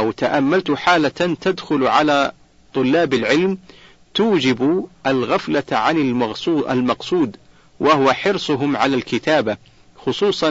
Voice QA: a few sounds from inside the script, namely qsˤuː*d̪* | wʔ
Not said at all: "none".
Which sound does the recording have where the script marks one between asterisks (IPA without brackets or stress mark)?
d̪